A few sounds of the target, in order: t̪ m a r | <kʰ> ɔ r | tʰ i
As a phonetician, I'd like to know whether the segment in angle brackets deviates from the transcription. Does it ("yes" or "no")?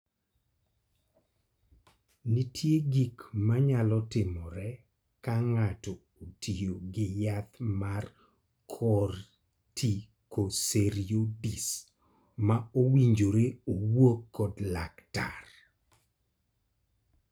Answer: no